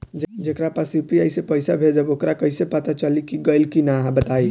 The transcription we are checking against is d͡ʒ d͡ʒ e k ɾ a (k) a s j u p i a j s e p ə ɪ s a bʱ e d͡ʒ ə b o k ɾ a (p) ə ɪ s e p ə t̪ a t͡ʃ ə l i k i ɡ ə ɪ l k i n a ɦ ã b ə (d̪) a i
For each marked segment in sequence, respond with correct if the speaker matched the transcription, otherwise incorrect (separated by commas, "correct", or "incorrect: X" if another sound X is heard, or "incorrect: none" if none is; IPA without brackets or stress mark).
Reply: incorrect: p, incorrect: k, incorrect: t̪